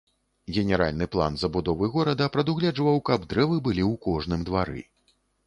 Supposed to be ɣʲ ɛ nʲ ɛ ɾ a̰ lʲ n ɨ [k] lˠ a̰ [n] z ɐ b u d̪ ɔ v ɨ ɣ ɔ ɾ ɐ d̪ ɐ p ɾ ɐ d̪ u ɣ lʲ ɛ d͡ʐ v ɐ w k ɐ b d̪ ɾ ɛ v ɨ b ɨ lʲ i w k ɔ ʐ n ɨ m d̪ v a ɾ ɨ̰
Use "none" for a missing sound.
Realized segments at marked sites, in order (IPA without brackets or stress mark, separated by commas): p, n